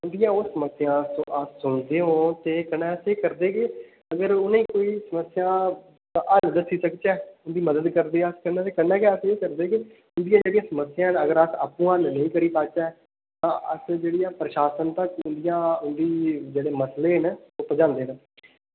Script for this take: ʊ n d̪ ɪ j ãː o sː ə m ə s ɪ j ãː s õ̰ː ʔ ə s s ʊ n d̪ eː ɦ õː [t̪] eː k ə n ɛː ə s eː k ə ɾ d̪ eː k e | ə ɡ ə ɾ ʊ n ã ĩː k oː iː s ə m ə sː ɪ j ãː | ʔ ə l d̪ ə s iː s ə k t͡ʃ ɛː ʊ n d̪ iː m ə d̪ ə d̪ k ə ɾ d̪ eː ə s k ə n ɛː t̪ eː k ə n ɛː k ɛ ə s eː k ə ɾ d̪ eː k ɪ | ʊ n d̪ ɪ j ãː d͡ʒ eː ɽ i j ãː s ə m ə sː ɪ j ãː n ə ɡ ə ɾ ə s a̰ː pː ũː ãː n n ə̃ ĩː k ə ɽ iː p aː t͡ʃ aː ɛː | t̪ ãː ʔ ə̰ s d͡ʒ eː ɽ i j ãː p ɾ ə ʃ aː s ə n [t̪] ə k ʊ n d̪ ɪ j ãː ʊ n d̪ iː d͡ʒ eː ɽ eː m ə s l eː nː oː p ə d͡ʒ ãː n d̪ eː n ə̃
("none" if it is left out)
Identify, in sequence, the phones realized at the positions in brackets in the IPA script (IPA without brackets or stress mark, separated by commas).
t̪, t̪